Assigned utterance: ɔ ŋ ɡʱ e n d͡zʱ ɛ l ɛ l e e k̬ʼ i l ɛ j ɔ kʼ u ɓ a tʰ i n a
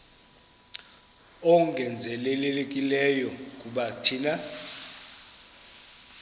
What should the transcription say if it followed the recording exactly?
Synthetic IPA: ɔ ŋ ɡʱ ɛ n d͡zʱ ɛ l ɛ l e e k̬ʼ i l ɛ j ɔ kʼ u ɓ a tʰ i n a